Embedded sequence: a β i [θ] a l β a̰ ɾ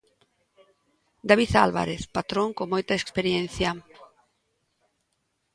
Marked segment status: correct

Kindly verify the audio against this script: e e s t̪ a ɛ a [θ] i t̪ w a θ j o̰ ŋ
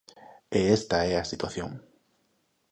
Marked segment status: incorrect: s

